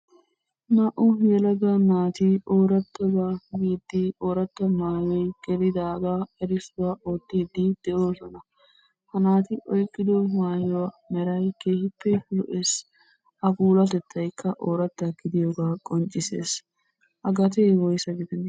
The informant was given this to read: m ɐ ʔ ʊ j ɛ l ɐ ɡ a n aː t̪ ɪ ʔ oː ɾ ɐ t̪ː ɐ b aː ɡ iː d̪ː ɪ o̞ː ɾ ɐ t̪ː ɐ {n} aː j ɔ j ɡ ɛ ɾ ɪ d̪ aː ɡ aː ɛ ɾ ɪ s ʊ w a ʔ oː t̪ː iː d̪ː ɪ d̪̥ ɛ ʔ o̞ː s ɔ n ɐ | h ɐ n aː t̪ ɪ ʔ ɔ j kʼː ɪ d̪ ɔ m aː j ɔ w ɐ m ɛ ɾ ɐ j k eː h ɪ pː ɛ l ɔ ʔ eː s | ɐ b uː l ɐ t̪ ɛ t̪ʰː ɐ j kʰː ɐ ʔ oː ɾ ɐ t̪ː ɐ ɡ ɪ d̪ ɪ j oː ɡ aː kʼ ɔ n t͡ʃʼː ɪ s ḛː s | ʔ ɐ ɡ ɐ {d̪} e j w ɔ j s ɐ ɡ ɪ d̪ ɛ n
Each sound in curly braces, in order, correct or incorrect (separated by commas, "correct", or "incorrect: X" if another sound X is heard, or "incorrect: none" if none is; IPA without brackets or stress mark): incorrect: m, incorrect: t̪